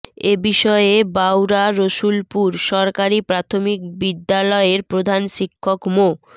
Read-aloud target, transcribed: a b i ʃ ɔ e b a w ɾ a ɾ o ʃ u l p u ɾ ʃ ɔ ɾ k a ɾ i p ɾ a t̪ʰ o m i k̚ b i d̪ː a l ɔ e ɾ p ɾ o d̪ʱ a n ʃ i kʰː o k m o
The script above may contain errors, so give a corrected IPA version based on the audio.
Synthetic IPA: e b i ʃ ɔ e b a w ɾ a ɾ o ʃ u l p u ɾ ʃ ɔ ɾ k a ɾ i p ɾ a t̪ʰ o m i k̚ b i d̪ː a l ɔ e ɾ p ɾ o d̪ʱ a n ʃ i kʰː o k m o